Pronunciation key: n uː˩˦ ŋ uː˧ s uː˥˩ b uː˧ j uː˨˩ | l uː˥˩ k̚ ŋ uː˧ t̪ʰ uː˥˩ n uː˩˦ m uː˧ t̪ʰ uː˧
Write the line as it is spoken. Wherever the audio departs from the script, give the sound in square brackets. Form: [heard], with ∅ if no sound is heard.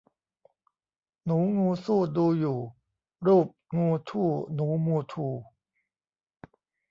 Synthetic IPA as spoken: n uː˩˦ ŋ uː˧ s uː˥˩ [d] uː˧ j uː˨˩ | [ɾ] uː˥˩ [p̚] ŋ uː˧ t̪ʰ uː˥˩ n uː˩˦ m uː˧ t̪ʰ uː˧